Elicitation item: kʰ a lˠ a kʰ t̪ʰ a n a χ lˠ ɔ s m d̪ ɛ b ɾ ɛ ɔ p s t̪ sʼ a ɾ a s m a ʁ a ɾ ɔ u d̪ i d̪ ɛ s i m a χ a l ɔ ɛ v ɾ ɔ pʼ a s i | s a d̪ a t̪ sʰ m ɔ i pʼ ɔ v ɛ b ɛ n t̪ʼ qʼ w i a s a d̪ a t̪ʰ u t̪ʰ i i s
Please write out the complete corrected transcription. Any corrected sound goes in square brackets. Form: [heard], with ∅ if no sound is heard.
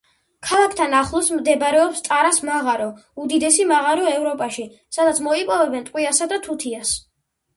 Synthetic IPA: kʰ a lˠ a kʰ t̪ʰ a n a χ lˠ ɔ s m d̪ ɛ b ɾ ɛ ɔ p s t̪ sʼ a ɾ a s m a ʁ a ɾ ɔ u d̪ i d̪ ɛ s i m a [ʁ] a [ɾ] ɔ ɛ v ɾ ɔ pʼ a [ʃ] i | s a d̪ a t̪ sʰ m ɔ i pʼ ɔ v ɛ b ɛ n t̪ʼ qʼ w i a s a d̪ a t̪ʰ u t̪ʰ i [a] s

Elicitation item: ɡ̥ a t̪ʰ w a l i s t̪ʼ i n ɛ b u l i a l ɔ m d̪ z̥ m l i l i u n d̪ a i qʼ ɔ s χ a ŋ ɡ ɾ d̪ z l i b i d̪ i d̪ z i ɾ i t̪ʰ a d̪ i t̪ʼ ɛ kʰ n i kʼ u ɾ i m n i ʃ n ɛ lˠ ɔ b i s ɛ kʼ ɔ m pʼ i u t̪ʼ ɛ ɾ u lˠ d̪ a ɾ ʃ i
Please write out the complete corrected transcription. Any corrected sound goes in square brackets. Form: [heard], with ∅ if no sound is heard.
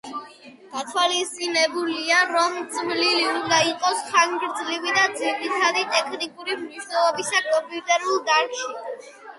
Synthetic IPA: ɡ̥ a t̪ʰ w a l i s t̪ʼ i n ɛ b u l i a [ɾ] ɔ m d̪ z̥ m l i l i u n d̪ a i qʼ ɔ s χ a ŋ ɡ ɾ d̪ z l i [v] i d̪ [a] d̪ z i ɾ i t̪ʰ a d̪ i t̪ʼ ɛ kʰ n i kʼ u ɾ i m n i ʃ n ɛ lˠ ɔ b i s [a] kʼ ɔ m pʼ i u t̪ʼ ɛ ɾ u lˠ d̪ a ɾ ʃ i

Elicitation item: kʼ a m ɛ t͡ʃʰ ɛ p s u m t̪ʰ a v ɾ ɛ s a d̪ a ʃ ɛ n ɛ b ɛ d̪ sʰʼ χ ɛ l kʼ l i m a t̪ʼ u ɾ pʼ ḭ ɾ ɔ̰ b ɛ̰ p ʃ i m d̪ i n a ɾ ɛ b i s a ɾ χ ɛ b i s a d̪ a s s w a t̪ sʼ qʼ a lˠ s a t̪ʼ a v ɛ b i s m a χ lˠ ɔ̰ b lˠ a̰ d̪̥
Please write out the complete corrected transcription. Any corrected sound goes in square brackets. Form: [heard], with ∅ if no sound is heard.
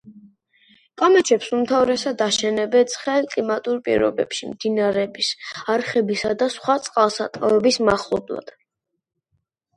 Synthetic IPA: kʼ a m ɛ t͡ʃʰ ɛ p s u m t̪ʰ a v ɾ ɛ s a d̪ a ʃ ɛ n ɛ b ɛ [t̪] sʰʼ χ ɛ l kʼ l i m a t̪ʼ u ɾ pʼ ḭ ɾ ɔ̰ b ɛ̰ p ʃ i m d̪ i n a ɾ ɛ b i s a ɾ χ ɛ b i s a d̪ a s [χ] w a t̪ sʼ qʼ a lˠ s a t̪ʼ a v ɛ b i s m a χ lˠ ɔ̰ b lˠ a̰ d̪̥

